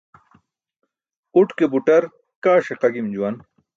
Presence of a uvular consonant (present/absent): present